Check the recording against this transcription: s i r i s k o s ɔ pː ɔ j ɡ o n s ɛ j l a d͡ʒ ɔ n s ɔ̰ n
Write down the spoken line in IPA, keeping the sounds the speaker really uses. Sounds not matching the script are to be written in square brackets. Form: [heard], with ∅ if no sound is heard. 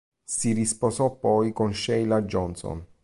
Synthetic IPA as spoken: s i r i s [p] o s ɔ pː ɔ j [k] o n [ʃ] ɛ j l a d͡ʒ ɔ n s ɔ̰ n